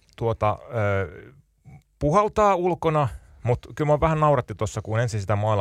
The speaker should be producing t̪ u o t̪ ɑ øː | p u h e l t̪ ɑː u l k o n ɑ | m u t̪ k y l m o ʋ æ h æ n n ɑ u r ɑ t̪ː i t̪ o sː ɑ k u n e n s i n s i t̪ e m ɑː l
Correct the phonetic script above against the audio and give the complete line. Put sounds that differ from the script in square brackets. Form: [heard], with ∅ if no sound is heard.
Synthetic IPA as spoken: t̪ u o t̪ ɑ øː | p u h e l t̪ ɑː u l k o n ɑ | m u t̪ k y l m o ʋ æ h æ n n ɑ u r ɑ t̪ː i t̪ o sː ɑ k u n e n s i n s i t̪ [æ] m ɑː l